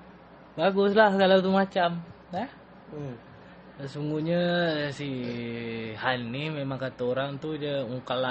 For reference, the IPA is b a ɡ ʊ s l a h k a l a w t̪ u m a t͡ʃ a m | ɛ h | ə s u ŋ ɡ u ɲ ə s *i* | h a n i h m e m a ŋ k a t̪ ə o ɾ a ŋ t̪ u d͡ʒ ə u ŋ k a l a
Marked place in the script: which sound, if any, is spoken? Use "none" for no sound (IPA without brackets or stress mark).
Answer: i